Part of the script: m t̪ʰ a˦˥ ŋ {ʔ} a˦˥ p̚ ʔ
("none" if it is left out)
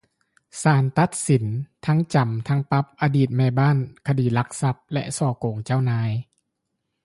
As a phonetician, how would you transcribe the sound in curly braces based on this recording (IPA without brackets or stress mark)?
p